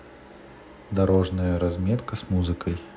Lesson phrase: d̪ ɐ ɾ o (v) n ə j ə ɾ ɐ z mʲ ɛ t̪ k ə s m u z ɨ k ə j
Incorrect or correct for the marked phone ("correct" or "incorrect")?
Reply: incorrect